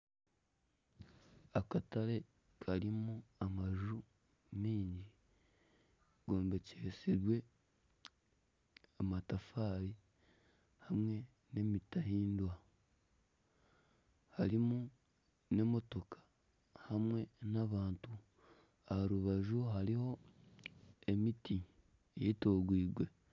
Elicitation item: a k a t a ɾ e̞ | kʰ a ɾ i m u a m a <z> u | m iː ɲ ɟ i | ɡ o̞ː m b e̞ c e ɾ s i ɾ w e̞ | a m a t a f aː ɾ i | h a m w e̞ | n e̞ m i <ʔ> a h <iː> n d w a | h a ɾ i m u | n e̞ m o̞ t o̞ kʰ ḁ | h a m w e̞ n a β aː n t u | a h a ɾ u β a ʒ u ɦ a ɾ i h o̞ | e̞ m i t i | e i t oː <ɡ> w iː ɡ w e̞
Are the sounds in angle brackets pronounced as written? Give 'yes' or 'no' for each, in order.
no, no, yes, yes

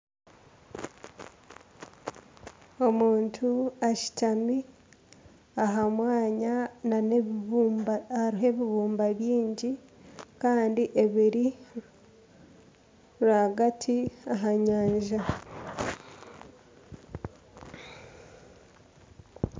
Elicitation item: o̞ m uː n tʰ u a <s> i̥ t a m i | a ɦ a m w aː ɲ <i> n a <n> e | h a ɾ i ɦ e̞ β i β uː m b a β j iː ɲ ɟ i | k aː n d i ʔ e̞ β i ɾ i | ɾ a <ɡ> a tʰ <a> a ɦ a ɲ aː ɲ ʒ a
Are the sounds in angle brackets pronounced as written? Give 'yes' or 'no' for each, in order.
no, no, yes, yes, no

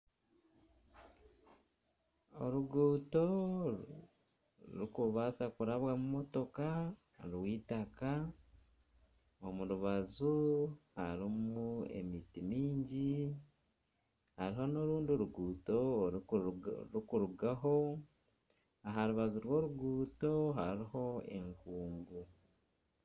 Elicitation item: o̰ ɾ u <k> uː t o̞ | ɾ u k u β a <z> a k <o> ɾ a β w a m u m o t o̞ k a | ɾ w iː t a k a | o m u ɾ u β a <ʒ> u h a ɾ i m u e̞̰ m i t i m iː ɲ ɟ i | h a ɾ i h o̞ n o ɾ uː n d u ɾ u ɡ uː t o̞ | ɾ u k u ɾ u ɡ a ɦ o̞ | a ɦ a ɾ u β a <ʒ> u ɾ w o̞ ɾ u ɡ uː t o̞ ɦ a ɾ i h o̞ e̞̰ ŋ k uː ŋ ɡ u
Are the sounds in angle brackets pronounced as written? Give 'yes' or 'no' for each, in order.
no, no, no, no, no

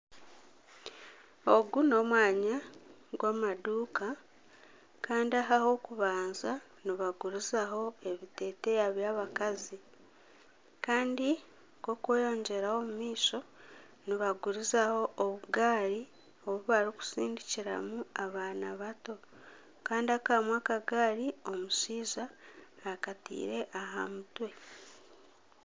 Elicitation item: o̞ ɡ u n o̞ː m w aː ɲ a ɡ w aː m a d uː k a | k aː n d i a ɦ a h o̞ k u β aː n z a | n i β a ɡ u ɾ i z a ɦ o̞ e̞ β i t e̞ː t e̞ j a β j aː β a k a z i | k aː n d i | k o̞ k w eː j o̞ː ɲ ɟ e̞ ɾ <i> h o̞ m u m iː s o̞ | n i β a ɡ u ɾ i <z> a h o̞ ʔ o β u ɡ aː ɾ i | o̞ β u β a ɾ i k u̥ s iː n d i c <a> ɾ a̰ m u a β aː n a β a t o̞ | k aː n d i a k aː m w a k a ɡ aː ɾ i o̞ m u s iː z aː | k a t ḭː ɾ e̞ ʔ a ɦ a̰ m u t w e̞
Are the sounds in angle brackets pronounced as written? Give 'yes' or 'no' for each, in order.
no, yes, no

